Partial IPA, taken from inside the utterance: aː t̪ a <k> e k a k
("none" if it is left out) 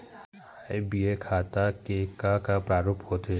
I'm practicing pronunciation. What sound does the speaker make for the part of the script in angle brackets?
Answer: k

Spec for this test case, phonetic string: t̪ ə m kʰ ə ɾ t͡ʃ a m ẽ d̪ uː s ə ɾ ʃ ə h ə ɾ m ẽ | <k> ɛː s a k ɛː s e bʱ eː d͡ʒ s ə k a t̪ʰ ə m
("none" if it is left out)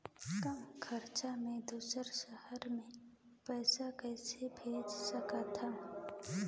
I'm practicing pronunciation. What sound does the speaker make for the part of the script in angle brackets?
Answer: p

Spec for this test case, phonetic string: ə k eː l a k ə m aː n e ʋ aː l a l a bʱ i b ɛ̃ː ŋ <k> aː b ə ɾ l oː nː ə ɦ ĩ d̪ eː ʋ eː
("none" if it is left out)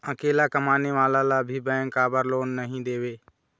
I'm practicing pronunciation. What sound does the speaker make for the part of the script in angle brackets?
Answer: k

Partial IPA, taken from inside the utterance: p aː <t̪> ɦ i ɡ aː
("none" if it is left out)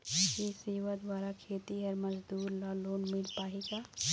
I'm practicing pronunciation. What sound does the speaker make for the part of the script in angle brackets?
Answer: none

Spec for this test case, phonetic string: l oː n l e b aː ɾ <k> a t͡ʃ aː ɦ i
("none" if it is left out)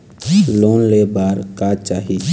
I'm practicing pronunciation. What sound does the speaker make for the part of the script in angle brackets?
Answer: k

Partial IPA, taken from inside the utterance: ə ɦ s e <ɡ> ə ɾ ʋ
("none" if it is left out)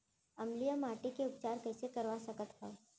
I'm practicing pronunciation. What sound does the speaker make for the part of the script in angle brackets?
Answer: k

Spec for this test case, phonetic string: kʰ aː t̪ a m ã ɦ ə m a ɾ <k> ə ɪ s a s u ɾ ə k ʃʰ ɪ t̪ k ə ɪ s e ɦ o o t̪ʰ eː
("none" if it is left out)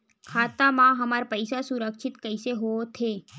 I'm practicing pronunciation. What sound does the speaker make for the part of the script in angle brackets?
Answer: p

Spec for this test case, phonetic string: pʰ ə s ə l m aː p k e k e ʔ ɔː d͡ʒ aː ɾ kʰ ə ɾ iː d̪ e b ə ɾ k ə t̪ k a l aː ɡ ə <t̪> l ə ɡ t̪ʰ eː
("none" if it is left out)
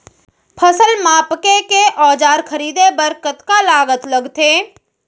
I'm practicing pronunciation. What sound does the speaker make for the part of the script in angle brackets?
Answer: t̪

